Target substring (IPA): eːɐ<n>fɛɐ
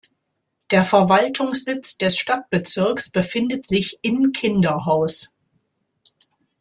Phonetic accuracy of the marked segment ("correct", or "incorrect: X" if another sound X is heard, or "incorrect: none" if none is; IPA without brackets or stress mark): incorrect: none